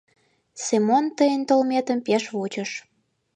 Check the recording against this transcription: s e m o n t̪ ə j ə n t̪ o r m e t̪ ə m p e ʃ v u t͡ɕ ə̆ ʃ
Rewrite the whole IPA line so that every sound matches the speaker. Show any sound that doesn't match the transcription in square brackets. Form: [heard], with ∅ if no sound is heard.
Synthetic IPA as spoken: s e m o n t̪ ə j ə n t̪ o [l] m e t̪ ə m p e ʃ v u t͡ɕ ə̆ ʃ